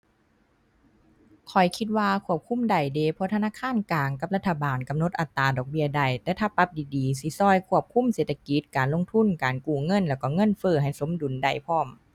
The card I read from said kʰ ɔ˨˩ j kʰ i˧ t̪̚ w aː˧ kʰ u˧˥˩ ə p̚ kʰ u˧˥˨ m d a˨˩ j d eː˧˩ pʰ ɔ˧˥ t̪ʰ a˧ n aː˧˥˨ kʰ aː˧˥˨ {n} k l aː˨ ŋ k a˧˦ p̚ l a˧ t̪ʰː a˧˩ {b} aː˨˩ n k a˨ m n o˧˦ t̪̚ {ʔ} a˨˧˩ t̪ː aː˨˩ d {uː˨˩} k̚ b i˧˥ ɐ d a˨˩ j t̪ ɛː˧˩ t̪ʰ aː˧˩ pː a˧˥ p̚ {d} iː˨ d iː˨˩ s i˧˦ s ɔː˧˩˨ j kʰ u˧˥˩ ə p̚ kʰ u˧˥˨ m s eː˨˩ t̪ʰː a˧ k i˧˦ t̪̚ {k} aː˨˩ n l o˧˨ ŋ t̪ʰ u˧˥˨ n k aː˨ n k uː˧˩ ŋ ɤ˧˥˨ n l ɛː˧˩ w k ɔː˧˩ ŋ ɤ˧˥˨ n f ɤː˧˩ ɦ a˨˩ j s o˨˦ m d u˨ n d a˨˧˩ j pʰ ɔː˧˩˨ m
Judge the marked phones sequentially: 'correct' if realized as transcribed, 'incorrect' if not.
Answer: correct, correct, correct, incorrect: ɔː˨˩, correct, correct

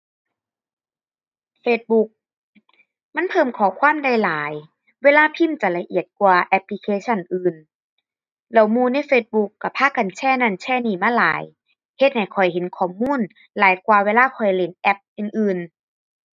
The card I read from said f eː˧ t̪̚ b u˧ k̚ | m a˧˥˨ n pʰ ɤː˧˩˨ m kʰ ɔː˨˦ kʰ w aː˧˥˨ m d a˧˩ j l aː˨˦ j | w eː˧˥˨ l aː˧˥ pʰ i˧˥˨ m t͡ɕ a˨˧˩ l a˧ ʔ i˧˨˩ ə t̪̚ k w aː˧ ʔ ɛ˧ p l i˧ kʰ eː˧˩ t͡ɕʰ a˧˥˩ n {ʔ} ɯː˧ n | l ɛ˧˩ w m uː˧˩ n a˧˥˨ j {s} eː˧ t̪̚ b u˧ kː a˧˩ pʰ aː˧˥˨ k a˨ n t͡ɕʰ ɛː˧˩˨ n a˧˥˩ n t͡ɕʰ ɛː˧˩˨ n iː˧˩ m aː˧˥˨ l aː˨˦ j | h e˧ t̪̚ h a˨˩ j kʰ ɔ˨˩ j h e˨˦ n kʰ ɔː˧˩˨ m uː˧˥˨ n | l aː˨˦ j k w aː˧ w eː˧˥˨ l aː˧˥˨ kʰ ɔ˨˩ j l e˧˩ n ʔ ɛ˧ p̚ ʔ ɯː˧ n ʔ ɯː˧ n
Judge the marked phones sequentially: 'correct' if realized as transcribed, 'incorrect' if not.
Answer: correct, incorrect: f

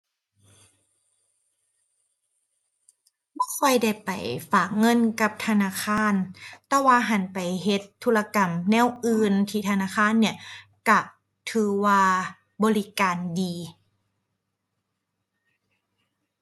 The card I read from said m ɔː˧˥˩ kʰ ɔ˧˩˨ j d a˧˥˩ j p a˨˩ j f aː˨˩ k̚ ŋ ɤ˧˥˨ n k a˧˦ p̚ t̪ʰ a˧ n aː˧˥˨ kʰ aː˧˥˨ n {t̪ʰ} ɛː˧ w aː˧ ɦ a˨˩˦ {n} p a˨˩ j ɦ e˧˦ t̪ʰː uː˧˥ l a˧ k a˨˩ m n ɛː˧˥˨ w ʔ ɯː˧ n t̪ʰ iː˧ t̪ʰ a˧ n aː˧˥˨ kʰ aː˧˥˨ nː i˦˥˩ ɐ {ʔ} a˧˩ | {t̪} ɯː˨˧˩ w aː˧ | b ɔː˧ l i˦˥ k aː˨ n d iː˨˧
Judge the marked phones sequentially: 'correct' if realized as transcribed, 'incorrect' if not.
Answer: incorrect: t̪, correct, incorrect: k, incorrect: t̪ʰ

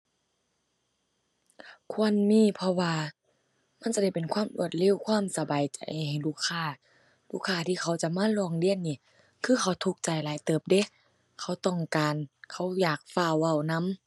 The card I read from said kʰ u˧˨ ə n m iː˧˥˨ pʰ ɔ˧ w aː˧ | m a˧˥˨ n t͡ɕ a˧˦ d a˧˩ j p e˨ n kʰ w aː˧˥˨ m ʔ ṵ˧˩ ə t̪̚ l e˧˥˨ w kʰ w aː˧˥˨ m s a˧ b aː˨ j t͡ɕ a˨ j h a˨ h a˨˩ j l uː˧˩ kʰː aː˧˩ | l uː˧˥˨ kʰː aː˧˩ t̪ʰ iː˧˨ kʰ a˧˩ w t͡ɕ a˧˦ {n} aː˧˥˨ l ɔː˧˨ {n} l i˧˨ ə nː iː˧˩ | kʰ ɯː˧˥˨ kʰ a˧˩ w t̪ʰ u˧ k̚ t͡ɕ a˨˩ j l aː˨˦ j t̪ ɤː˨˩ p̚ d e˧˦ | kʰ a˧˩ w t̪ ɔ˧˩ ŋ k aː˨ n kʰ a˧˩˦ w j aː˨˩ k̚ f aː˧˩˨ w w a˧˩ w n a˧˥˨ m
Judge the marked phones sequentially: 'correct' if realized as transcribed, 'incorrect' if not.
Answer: incorrect: m, incorrect: ŋ

